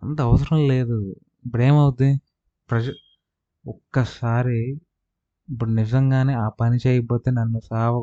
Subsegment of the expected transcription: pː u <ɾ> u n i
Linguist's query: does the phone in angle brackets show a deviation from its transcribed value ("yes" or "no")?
yes